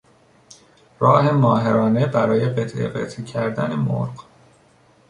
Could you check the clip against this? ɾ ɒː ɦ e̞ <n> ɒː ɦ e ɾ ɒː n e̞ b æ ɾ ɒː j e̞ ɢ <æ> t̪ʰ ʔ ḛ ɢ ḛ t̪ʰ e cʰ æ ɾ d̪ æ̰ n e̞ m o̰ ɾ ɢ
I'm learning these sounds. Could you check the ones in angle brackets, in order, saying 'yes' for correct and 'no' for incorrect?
no, no

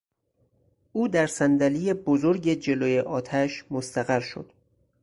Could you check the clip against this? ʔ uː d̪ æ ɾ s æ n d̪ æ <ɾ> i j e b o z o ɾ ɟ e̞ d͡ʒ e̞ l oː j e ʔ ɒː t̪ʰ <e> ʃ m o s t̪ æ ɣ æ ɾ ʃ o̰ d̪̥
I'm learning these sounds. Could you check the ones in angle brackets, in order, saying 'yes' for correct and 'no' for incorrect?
no, no

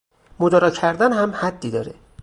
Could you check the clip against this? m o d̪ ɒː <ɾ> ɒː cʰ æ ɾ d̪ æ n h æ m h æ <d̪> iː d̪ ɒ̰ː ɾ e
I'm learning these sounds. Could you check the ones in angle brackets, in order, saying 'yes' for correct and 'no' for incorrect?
yes, no

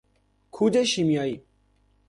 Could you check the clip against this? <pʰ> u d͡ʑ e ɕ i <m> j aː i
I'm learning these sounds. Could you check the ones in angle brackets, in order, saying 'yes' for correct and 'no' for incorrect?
no, yes

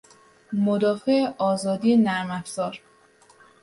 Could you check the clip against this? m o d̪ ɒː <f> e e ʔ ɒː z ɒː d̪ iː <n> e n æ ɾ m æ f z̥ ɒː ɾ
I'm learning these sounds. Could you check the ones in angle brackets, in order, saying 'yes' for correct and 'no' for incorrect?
yes, no

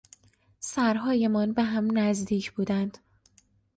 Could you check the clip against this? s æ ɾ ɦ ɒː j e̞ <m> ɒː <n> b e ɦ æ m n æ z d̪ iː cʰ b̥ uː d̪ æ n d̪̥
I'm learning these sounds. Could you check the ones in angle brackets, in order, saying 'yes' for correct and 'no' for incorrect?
yes, yes

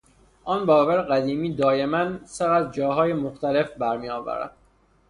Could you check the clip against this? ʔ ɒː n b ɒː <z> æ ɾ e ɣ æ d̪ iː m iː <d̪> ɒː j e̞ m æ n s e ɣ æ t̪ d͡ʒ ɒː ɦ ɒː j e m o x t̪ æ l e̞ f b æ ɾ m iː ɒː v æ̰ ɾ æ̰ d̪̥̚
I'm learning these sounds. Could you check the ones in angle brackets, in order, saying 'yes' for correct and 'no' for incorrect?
no, yes

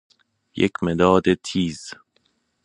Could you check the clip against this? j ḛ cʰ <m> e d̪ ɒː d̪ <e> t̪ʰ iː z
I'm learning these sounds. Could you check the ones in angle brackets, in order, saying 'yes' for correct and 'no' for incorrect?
yes, yes

